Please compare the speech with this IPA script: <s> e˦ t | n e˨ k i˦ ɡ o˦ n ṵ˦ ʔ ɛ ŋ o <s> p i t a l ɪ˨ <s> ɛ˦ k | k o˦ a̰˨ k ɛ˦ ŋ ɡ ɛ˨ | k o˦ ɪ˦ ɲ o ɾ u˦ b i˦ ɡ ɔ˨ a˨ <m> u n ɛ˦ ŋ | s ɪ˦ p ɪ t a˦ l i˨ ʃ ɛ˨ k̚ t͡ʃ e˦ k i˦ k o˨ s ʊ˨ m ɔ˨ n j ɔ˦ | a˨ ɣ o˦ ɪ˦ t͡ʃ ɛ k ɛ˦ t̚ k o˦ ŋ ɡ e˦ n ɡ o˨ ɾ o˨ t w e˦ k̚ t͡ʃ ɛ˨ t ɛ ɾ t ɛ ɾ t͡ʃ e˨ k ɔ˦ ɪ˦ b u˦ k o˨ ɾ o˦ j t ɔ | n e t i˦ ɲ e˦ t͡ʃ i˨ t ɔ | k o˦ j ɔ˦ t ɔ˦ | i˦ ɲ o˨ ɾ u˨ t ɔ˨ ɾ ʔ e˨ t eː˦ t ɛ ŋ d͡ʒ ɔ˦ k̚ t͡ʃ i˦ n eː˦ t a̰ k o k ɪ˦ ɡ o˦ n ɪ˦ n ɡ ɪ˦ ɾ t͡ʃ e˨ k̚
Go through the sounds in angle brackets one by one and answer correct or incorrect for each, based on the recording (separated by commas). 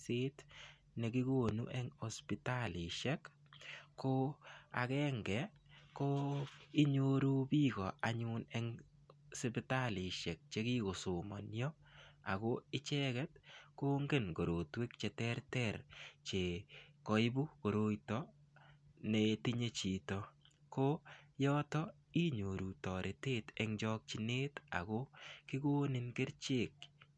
correct, correct, incorrect, incorrect